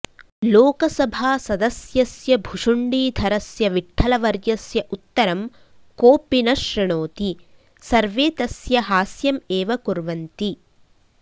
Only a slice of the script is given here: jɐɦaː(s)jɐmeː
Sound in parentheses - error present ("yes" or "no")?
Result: no